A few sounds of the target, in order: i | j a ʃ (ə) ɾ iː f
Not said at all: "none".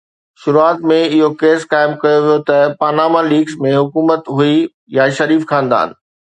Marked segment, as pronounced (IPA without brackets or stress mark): ɐ